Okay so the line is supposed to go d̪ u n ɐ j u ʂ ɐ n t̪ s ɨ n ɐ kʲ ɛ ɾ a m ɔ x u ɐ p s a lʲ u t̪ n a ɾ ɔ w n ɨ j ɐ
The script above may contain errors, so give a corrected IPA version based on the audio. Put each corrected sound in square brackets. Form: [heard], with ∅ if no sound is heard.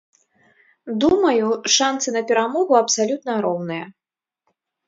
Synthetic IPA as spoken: d̪ u [m] ɐ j u ʂ [a] n t̪ s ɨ n ɐ [pʲ] ɛ ɾ a m ɔ [ɣ] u ɐ p s a lʲ u t̪ n [ɐ] ɾ ɔ w n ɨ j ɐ